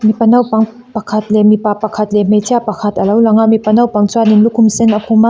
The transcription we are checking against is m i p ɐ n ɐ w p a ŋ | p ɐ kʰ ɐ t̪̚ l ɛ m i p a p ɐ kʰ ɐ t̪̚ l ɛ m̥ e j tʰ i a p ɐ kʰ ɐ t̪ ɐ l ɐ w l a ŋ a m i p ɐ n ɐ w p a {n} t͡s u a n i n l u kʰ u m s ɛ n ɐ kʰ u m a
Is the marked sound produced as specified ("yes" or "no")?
no